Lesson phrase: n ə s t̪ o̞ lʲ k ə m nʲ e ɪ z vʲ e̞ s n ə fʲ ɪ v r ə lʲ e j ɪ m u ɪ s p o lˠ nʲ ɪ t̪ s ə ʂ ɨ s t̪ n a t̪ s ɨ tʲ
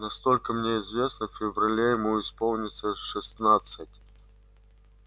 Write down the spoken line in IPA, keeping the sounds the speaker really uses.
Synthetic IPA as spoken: n ɐ s t̪ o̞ lʲ k ə m nʲ e ɪ z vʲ e̞ s n ə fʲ ɪ v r ɐ lʲ e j ɪ m u ɪ s p o lˠ nʲ ɪ t̪ s ə ʂ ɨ s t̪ n a t̪ s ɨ tʲ